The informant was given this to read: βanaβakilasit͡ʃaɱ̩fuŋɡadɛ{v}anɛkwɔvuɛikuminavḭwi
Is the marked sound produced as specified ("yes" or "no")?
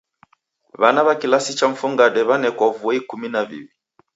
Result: no